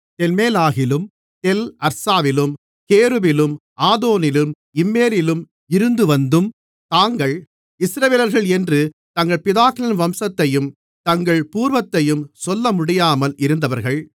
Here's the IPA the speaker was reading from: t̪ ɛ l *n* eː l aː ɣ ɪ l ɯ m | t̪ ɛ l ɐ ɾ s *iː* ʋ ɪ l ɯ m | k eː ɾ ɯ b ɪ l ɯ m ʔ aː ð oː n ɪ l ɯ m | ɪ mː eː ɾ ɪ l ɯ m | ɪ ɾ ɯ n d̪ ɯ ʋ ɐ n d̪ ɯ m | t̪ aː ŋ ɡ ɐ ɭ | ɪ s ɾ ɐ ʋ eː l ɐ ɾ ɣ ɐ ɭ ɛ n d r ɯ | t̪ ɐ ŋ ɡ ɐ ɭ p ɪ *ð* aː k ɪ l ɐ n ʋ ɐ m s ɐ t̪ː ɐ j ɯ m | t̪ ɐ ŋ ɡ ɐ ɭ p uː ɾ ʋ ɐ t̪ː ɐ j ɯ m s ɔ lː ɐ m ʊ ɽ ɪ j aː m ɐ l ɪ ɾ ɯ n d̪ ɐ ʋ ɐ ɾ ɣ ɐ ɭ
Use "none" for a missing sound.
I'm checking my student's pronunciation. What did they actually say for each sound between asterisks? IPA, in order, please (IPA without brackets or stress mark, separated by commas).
m, aː, ð